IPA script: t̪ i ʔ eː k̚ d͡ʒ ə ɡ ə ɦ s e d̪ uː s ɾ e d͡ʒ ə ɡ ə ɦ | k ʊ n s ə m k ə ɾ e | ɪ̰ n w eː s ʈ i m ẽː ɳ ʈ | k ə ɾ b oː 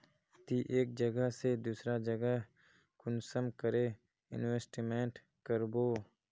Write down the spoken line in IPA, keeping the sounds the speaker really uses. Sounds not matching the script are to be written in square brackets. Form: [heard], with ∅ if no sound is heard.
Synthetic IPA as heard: t̪ i ʔ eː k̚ d͡ʒ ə ɡ ə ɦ s e d̪ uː s ɾ [a] d͡ʒ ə ɡ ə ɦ | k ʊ n s ə m k ə ɾ e | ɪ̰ n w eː s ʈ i m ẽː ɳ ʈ | k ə ɾ b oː